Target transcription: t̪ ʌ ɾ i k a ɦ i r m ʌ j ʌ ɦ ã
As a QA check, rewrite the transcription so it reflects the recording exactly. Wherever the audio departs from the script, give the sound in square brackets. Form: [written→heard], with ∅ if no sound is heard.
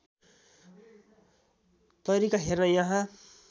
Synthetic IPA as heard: t̪ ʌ ɾ i k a ɦ [i→e] r [m→n] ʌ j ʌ ɦ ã